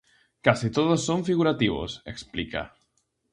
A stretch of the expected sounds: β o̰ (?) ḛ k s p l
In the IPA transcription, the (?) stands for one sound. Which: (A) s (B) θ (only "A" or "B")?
A